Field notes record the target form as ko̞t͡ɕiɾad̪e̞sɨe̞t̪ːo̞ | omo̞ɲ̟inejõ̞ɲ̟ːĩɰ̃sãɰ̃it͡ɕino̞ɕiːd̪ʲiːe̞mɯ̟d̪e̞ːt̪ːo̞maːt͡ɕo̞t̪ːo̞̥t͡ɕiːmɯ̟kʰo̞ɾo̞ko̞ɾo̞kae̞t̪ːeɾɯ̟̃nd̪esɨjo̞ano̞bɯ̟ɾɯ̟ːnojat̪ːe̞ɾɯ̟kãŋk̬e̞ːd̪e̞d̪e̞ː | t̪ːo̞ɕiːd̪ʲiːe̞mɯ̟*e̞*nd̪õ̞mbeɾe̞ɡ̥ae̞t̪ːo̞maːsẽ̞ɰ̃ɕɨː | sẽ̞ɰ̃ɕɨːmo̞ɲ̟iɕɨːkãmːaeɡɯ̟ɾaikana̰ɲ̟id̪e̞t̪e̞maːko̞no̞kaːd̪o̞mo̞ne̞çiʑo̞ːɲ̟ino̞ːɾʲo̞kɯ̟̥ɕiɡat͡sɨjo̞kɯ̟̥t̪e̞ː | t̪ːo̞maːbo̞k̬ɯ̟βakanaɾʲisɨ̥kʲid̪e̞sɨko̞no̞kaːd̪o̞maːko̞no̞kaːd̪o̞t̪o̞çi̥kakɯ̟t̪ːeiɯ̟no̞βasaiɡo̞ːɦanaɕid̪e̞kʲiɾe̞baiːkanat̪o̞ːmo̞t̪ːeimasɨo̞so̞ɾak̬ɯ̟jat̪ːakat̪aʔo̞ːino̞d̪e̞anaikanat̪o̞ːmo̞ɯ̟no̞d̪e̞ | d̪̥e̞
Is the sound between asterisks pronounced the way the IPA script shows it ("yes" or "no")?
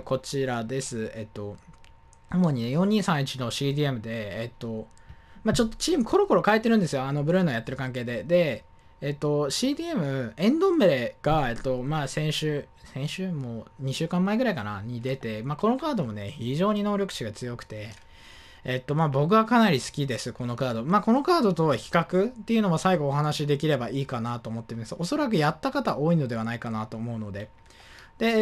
no